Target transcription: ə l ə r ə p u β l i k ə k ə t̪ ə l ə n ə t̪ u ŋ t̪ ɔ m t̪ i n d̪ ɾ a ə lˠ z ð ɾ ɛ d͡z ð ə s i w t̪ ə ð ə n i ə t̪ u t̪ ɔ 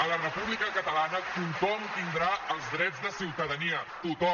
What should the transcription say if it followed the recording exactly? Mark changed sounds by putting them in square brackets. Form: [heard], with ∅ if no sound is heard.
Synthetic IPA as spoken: ə l ə r ə p u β l i k ə k ə t̪ ə l [a] n ə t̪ u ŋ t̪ ɔ m t̪ i n d̪ ɾ a ə lˠ z ð ɾ ɛ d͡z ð ə s i w t̪ ə ð ə n i ə t̪ u t̪ ɔ